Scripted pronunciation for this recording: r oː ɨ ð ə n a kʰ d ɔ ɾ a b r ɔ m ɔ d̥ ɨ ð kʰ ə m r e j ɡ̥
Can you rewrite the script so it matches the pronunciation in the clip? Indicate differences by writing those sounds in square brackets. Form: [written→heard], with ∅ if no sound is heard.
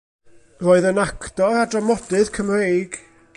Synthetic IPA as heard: r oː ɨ ð ə n a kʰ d ɔ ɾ a [b→d] r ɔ m ɔ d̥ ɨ ð kʰ ə m r e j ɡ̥